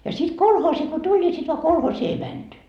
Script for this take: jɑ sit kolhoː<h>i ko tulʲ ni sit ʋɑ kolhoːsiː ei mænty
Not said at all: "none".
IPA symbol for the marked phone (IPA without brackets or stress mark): s